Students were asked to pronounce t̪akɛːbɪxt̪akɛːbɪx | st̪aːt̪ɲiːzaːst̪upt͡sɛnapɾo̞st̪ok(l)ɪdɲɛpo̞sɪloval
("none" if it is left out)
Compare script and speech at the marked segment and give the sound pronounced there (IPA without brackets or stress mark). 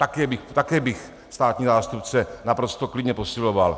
l